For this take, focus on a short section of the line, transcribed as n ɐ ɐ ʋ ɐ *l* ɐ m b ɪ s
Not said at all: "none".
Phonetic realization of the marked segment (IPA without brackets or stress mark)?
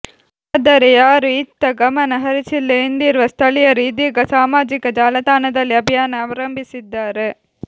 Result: ɾ